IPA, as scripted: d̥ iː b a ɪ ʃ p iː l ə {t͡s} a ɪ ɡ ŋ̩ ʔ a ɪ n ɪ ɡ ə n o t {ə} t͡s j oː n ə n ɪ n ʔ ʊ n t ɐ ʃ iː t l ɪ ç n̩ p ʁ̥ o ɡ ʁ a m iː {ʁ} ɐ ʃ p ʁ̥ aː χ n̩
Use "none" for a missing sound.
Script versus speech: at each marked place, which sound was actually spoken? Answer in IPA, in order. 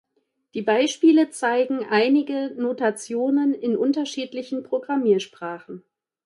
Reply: t͡s, a, none

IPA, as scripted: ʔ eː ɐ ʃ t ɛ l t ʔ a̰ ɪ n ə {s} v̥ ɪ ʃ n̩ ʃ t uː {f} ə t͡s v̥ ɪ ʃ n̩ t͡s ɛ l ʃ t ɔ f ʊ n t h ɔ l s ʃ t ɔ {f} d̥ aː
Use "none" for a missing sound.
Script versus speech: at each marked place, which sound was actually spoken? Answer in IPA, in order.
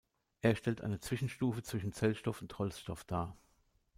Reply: t͡s, f, f

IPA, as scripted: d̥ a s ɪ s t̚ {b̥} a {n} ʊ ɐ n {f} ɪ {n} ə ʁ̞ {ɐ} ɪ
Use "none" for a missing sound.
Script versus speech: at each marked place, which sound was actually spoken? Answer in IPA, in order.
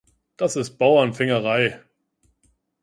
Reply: b̥, none, f, ŋ, a

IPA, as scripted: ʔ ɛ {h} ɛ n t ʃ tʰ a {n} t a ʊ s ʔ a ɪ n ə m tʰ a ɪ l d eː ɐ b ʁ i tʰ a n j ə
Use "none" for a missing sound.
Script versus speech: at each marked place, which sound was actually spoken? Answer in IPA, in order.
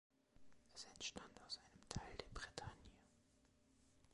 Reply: s, n

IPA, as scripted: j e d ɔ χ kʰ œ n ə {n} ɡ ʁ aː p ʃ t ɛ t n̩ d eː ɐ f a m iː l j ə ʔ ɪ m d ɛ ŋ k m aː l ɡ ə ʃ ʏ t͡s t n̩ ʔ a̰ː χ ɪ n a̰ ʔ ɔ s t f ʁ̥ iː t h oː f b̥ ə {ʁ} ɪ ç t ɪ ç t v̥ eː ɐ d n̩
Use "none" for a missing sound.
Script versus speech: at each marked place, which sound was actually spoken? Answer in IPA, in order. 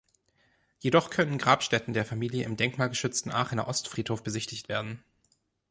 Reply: n, z

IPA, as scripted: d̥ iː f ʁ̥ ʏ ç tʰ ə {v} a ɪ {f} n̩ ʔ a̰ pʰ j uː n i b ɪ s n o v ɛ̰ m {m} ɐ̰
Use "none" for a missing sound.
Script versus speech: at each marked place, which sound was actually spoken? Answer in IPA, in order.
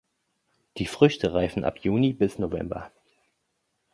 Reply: ʁ, f, b

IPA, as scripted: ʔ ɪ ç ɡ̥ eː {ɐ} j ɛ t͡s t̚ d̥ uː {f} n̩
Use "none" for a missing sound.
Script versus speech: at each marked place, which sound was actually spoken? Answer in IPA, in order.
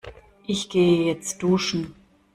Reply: ə, ʃ

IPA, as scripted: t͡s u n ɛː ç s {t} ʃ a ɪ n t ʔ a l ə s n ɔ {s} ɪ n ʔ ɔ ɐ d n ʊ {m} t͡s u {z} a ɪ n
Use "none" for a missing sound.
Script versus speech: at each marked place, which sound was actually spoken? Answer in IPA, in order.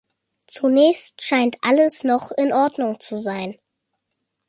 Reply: t, χ, ŋ, z

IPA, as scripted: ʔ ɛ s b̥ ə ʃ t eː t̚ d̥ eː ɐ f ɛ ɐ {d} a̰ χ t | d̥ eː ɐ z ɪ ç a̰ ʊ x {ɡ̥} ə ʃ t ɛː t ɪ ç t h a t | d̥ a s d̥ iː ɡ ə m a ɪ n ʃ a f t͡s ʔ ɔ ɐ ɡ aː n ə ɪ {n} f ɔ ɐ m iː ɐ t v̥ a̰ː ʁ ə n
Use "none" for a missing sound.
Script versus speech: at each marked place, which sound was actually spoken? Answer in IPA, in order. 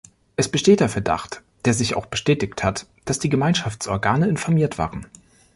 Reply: d, b̥, n

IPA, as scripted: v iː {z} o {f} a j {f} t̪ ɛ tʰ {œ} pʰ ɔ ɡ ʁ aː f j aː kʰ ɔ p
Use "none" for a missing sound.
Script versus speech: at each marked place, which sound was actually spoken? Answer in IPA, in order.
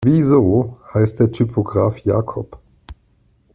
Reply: z, h, s, y

